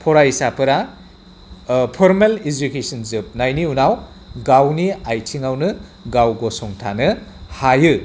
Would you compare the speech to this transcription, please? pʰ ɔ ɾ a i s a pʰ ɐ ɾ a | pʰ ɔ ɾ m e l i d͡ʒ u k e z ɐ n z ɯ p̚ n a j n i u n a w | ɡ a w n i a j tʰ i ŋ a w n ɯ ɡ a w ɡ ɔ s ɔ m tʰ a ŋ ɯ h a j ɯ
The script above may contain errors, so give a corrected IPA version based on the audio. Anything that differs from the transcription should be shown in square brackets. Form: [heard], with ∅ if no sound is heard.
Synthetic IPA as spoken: pʰ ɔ ɾ a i s a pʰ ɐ ɾ a | pʰ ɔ ɾ m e l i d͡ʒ u k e [s] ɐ n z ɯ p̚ n a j n i u n a w | ɡ a w n i a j tʰ i ŋ a w n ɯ ɡ a w ɡ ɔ s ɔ [ŋ] tʰ a [n] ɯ h a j ɯ